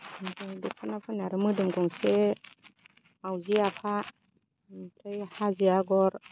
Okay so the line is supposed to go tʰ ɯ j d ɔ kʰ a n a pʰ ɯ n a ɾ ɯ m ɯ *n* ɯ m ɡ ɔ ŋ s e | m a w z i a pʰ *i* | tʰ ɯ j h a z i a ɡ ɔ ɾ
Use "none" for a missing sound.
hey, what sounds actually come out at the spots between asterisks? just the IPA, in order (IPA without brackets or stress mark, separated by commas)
d, a